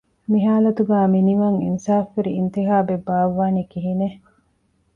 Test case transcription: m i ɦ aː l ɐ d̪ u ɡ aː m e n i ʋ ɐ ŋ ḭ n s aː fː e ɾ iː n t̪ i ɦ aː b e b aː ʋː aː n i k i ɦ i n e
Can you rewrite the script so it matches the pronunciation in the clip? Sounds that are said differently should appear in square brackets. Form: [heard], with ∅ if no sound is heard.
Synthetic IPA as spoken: m i ɦ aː l ɐ [t̪] u ɡ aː m [i] n i ʋ ɐ ŋ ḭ n s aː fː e ɾ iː n t̪ i ɦ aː b e b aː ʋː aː n i k i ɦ i n e